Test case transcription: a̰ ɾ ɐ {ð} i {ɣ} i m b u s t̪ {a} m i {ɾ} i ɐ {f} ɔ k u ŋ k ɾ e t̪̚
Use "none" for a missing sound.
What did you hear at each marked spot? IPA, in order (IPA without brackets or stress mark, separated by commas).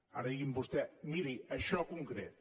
ð, ɣ, ɛ, ɾ, ʃ